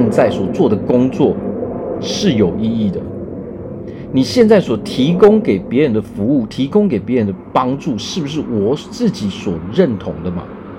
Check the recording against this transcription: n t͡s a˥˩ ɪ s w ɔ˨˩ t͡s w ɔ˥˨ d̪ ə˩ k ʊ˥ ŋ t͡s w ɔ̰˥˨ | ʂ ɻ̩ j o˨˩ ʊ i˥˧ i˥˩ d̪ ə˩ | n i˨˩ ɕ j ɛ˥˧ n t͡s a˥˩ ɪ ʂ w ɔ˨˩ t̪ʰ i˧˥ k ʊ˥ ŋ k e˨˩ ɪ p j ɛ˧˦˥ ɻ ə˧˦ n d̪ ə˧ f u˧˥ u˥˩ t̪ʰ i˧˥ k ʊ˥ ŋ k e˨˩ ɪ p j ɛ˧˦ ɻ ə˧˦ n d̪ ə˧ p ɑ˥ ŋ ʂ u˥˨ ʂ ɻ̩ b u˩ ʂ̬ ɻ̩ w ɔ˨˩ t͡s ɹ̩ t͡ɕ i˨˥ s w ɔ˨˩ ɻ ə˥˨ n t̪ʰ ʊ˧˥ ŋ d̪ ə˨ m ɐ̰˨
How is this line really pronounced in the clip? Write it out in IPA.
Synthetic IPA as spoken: n t͡s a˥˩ ɪ s w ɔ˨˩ t͡s w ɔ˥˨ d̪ ə˩ k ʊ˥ ŋ t͡s w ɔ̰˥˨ | ʂ ɻ̩ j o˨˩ ʊ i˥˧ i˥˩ d̪ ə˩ | n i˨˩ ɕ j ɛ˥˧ n t͡s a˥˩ ɪ s w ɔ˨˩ t̪ʰ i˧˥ k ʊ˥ ŋ k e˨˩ ɪ p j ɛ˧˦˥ ɻ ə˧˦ n d̪ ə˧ f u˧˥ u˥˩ t̪ʰ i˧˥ k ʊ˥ ŋ k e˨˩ ɪ p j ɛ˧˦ ɻ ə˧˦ n d̪ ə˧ p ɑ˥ ŋ ʈ͡ʂ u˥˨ ʂ ɻ̩ b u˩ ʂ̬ ɻ̩ w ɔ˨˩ t͡s ɹ̩ t͡ɕ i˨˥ s w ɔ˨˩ ɻ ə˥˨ n t̪ʰ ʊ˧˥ ŋ d̪ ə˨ m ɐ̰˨